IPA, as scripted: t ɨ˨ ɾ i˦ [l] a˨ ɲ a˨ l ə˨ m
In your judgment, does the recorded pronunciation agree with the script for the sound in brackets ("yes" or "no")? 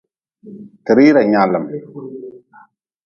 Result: no